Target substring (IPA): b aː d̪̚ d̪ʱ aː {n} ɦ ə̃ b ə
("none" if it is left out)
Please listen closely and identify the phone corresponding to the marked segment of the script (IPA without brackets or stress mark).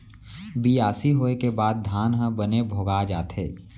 n